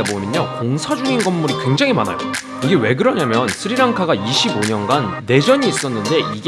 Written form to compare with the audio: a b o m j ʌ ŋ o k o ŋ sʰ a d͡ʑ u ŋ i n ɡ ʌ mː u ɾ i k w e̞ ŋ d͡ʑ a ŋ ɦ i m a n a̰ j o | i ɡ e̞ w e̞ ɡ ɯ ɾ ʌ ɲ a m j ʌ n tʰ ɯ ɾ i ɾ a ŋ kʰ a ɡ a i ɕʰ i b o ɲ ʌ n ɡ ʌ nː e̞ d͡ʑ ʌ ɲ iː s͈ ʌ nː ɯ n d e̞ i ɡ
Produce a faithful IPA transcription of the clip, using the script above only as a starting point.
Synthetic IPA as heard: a b o m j ʌ ɲ o k o ŋ sʰ a d͡ʑ u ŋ i n ɡ ʌ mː u ɾ i k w e̞ ŋ d͡ʑ a ŋ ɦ i m a n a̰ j o | i ɡ e̞ w e̞ ɡ ɯ ɾ ʌ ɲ a m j ʌ n sʰ ɯ ɾ i ɾ a ŋ kʰ a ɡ a i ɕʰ i b o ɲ ʌ n ɡ a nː e̞ d͡ʑ ʌ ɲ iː s͈ ʌ nː ɯ n d e̞ i ɡ

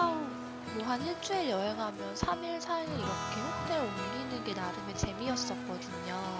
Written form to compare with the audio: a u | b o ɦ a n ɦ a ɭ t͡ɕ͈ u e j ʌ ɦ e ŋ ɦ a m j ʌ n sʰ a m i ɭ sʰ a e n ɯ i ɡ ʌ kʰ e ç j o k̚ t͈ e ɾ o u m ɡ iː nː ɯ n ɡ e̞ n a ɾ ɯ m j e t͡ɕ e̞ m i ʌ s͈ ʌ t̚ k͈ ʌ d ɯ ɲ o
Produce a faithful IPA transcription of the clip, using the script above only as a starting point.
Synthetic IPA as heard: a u | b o ɦ a n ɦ i ɭ t͡ɕ͈ u e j ʌ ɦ e ŋ ɦ a m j ʌ n sʰ a m i ɭ sʰ a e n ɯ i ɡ ʌ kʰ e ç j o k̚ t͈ e ɾ o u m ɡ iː nː ɯ n ɡ e̞ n a ɾ ɯ m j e t͡ɕ e̞ m i ʌ s͈ ʌ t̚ k͈ ʌ d ɯ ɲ o

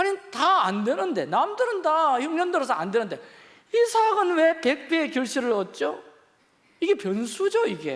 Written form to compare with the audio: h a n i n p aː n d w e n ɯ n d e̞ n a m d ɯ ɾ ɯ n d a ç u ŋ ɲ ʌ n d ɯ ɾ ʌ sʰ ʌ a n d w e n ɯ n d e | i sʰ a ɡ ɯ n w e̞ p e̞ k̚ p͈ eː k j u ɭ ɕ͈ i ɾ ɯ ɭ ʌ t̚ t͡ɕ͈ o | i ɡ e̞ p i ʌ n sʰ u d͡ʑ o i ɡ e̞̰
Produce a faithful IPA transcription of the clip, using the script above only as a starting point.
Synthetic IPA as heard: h a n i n t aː n d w e n ɯ n d e̞ n a m d ɯ ɾ ɯ n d a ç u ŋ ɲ ʌ n d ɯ ɾ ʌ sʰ ʌ a n d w e n ɯ n d e | i sʰ a ɡ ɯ n w e̞ p e̞ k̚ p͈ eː k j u ɭ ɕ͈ i ɾ ɯ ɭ ʌ t̚ t͡ɕ͈ o | i ɡ e̞ p j ʌ n sʰ u d͡ʑ o i ɡ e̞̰

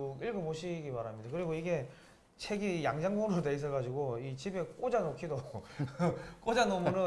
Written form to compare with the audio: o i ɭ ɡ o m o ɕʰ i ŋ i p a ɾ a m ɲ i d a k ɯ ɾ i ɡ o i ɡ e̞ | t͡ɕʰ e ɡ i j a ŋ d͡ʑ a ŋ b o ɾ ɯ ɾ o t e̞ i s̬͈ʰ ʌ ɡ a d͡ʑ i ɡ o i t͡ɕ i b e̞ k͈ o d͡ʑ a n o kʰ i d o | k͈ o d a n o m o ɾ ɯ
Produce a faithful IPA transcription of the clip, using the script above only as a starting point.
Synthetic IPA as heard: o i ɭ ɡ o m o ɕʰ i ɡ i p a ɾ a m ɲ i d a k ɯ ɾ i ɡ o i ɡ e̞ | t͡ɕʰ e ɡ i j a ŋ d͡ʑ a ŋ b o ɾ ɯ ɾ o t e̞ i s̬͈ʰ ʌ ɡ a d͡ʑ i ɡ o i t͡ɕ i b e̞ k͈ o d͡ʑ a n o kʰ i d o | k͈ o d͡ʑ a n o m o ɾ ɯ

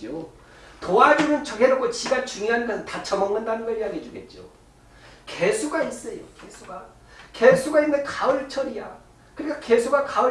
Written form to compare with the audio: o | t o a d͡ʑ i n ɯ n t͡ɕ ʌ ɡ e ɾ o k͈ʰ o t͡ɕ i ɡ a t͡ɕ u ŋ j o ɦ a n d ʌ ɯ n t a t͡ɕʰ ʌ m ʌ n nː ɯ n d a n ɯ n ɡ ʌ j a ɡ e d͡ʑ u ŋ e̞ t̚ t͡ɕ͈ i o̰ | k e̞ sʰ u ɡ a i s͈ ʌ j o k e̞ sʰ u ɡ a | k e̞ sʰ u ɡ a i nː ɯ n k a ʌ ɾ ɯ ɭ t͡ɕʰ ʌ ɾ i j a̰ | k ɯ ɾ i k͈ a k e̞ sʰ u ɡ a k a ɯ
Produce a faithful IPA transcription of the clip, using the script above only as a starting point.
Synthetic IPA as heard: o | t o a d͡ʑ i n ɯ n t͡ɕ ʌ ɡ e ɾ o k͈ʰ o t͡ɕ i ɡ a t͡ɕ u ŋ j o ɦ a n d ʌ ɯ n t a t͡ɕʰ ʌ m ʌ ŋ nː ɯ n d a n ɯ n ɡ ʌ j a ɡ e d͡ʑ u ɡ e̞ t̚ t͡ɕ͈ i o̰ | k e̞ sʰ u ɡ a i s͈ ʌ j o k e̞ sʰ u ɡ a | k e̞ sʰ u ɡ a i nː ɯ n k a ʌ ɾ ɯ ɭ t͡ɕʰ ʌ ɾ i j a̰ | k ɯ ɾ i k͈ a k e̞ sʰ u ɡ a k a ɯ

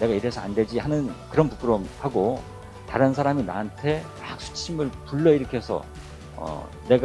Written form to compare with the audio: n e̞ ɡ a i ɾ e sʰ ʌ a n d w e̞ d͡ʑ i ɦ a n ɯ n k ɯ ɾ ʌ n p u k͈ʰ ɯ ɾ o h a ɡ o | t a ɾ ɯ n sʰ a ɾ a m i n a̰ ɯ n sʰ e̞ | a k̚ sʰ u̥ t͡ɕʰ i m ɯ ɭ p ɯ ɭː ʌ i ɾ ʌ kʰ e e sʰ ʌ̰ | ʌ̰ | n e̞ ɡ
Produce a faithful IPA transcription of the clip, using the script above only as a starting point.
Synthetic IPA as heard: n e̞ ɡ a i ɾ e sʰ ʌ a n d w e̞ d͡ʑ i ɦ a n ɯ n k ɯ ɾ ʌ n p u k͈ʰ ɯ ɾ o h a ɡ o | t a ɾ ɯ n sʰ a ɾ a m i n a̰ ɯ n tʰ e̞ | a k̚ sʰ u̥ t͡ɕʰ i m ɯ ɭ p u ɭː ʌ i ɾ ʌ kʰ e e sʰ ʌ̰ | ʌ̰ | n e̞ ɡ

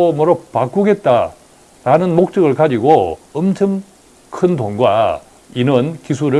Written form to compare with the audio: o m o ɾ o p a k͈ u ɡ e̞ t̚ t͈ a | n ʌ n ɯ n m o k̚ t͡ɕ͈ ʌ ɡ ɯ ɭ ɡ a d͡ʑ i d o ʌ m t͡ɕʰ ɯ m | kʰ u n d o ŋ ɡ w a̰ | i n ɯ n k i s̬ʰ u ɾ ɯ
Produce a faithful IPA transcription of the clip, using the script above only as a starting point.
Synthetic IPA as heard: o m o ɾ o p a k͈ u ɡ e̞ t̚ t͈ a | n a n ɯ n m o k̚ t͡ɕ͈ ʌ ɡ ɯ ɭ k a d͡ʑ i ɡ o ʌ m t͡ɕʰ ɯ m | kʰ ɯ n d o ŋ ɡ w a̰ | i n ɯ n k i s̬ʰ u ɾ ɯ

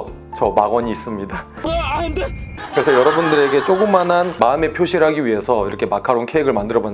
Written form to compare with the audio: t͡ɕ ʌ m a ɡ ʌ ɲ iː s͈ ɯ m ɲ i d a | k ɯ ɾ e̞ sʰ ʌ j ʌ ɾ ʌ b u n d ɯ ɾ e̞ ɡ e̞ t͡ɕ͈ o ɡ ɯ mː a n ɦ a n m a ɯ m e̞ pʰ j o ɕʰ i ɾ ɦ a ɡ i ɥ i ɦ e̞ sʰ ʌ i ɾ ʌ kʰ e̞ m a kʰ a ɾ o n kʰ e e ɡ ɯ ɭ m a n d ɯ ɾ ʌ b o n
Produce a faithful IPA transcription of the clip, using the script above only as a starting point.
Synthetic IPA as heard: t͡ɕ ʌ m a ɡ ʌ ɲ iː s͈ ɯ m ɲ i d a | k ɯ ɾ e̞ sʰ ʌ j ʌ ɾ ʌ b u n d ɯ ɾ e̞ ɡ e̞ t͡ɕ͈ o ɡ ɯ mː a n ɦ a n m a ɯ m e̞ pʰ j o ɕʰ i ɾ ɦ a ɡ i ɥ i ɦ e̞ sʰ ʌ i ɾ ʌ kʰ e̞ m a kʰ a ɾ o n kʰ e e ɡ ɯ ɭ m a n d ɯ ɾ ʌ b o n

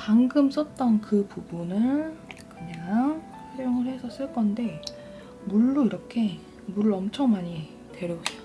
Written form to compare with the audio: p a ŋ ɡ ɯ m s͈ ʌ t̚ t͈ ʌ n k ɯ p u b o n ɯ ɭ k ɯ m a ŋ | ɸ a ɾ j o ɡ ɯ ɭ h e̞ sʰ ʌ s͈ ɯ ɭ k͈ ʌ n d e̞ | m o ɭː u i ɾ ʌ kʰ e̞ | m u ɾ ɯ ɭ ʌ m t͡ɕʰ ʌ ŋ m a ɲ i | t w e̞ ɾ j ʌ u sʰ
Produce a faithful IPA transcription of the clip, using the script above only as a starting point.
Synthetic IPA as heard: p a ŋ ɡ ɯ m s͈ ʌ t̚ t͈ ʌ n k ɯ p u b u n ɯ ɭ k ɯ ɲ a ŋ | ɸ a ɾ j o ŋ ɯ ɭ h e̞ sʰ ʌ s͈ ɯ ɭ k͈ ʌ n d e̞ | m u ɭː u i ɾ ʌ kʰ e̞ | m u ɾ ɯ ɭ ʌ m t͡ɕʰ ʌ ŋ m a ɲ i | t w e̞ ɾ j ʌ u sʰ

